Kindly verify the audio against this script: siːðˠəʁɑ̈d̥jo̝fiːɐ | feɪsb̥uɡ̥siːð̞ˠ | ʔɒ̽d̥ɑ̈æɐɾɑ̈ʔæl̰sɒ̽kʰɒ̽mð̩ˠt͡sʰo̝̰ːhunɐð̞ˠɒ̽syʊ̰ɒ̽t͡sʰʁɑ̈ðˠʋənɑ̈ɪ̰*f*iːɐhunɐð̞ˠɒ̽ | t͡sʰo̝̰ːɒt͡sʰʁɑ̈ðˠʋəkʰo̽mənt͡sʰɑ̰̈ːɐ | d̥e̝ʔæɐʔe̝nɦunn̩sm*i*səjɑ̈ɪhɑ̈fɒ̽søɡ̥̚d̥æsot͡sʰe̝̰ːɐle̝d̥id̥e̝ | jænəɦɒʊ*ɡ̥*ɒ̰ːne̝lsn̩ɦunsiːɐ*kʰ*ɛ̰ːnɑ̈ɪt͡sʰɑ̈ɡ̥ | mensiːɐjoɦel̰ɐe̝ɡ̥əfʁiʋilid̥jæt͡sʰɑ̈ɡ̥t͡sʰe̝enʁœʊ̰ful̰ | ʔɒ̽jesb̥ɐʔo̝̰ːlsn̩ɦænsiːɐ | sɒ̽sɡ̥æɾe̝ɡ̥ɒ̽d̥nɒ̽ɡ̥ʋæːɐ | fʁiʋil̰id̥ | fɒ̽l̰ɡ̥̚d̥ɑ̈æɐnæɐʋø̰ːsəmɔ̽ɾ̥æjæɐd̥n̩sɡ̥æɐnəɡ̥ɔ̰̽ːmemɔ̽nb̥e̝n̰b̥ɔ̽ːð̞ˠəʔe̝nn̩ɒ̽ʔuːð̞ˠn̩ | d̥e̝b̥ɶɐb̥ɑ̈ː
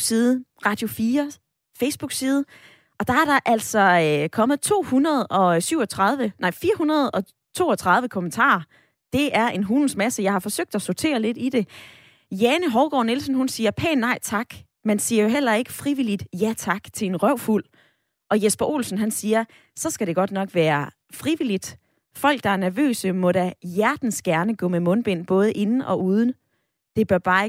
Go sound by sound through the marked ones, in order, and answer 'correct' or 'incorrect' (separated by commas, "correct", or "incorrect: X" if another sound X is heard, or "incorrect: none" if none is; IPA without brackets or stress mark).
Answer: correct, incorrect: æ, correct, incorrect: pʰ